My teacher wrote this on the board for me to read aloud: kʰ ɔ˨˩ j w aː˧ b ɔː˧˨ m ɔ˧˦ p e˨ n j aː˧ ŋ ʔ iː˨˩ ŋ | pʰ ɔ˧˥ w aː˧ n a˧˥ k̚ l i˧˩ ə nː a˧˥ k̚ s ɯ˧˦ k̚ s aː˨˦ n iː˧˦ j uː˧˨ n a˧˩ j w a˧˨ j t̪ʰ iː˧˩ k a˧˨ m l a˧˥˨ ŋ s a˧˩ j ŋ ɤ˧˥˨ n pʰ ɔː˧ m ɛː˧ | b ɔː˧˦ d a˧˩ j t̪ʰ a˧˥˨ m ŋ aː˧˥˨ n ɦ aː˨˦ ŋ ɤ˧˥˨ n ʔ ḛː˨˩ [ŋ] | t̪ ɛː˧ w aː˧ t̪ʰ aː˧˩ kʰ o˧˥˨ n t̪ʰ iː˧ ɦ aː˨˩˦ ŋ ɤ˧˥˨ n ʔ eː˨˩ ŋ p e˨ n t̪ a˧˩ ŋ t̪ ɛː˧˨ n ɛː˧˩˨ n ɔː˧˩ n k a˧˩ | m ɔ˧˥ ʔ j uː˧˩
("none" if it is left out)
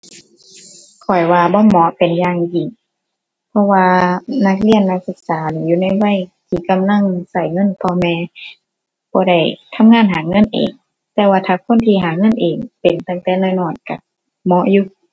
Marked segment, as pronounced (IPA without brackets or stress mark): ŋ